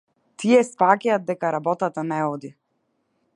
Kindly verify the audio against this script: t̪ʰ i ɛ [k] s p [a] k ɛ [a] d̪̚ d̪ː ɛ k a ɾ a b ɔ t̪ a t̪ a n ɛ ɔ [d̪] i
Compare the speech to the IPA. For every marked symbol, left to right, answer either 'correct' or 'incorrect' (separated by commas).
incorrect, correct, correct, correct